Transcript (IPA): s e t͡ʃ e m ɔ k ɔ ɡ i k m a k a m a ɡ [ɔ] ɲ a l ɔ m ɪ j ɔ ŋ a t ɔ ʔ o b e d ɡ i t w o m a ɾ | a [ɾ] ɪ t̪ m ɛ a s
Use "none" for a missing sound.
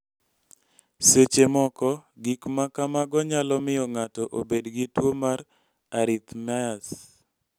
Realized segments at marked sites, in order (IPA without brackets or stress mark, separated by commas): ɔ, ɾ